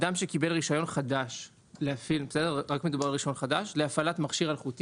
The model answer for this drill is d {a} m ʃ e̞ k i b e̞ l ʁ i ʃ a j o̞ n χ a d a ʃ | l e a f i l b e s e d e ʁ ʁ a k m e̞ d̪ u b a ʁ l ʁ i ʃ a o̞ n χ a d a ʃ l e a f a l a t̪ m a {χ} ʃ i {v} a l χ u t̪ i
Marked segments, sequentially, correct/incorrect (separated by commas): correct, correct, incorrect